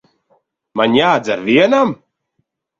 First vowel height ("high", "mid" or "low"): low